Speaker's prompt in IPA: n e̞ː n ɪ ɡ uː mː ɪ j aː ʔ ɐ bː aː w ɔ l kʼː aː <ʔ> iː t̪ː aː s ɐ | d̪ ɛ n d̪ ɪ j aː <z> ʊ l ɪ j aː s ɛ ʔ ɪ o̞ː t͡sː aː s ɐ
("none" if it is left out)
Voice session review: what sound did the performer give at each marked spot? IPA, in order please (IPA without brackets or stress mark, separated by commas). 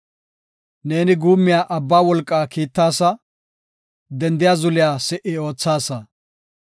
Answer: k, z